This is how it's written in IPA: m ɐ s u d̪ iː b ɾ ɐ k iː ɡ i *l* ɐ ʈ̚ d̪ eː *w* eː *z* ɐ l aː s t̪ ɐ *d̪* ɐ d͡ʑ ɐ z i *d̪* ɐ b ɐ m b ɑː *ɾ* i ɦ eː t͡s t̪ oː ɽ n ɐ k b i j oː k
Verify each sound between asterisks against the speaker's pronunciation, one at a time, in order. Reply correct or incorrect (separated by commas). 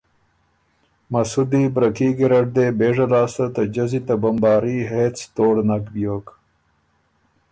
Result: incorrect, incorrect, incorrect, incorrect, incorrect, correct